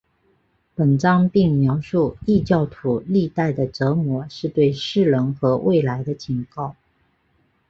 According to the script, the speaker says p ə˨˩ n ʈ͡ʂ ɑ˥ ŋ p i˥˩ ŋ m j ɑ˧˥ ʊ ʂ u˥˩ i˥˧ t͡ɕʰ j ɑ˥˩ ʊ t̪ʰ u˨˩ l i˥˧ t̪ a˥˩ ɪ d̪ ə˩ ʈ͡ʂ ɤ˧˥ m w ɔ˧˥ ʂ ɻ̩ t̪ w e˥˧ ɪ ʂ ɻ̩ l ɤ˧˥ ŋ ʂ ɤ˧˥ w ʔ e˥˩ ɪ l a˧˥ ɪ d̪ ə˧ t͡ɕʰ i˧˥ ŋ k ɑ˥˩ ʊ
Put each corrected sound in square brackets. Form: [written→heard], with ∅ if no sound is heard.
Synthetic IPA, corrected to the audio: p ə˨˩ n ʈ͡ʂ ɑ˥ ŋ p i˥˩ ŋ m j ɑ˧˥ ʊ ʂ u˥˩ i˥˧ [t͡ɕʰ→t͡ɕ] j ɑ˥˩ ʊ t̪ʰ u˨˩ l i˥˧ t̪ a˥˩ ɪ d̪ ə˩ ʈ͡ʂ ɤ˧˥ m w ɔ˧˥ ʂ ɻ̩ t̪ w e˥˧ ɪ ʂ ɻ̩ l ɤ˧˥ ŋ [ʂ→x] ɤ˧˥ w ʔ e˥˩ ɪ l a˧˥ ɪ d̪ ə˧ t͡ɕʰ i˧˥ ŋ k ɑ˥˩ ʊ